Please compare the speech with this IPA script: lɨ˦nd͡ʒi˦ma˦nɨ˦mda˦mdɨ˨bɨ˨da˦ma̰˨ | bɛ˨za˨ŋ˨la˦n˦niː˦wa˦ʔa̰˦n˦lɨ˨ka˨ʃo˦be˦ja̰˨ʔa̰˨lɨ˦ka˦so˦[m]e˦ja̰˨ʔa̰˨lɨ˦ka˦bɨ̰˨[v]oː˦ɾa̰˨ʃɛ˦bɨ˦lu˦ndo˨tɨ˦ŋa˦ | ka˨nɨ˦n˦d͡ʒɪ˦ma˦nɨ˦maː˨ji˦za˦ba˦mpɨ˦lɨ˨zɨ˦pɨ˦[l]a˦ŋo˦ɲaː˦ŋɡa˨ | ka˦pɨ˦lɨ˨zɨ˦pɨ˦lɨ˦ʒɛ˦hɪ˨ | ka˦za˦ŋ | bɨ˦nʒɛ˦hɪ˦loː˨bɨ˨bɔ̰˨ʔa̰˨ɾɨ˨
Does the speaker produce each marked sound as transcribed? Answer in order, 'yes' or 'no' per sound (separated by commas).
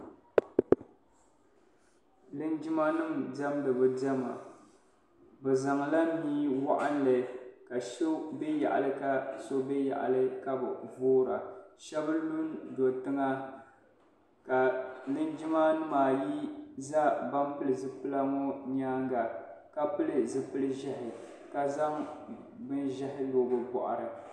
no, yes, yes